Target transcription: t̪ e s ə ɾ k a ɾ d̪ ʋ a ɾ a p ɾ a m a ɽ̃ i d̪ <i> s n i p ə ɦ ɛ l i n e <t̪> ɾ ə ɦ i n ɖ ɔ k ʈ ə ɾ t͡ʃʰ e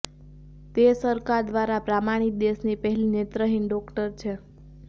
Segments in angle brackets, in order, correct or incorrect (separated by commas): incorrect, correct